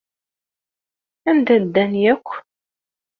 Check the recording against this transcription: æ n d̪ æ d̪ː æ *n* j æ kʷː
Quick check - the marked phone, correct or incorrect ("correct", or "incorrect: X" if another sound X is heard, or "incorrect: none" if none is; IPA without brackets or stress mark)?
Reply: correct